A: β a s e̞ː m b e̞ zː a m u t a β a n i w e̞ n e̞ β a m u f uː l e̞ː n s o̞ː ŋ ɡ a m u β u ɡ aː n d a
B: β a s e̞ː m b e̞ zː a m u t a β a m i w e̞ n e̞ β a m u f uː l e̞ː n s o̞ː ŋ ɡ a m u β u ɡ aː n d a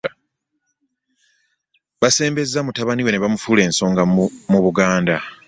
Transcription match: A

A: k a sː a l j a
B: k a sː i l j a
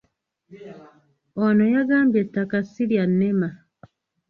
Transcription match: B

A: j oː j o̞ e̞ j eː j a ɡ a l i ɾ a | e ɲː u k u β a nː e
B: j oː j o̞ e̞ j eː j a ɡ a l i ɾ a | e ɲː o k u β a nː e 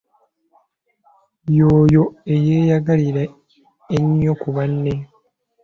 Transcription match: B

